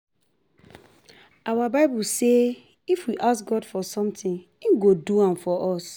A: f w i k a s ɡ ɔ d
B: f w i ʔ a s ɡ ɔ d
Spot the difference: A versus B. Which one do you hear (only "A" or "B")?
B